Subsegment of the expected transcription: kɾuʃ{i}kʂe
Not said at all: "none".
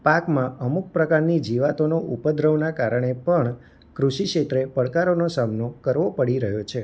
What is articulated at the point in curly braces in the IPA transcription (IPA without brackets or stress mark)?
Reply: i